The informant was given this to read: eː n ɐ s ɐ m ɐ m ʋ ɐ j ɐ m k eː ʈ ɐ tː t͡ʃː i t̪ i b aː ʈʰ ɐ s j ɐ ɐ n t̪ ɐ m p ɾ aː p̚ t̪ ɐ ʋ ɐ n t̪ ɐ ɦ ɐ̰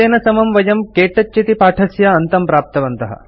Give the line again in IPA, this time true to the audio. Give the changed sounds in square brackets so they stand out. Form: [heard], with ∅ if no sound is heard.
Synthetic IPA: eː n ɐ s ɐ m ɐ m ʋ ɐ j ɐ m k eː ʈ ɐ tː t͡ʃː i t̪ i [p] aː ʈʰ ɐ s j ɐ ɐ n t̪ ɐ m p ɾ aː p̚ t̪ ɐ ʋ ɐ n t̪ ɐ ɦ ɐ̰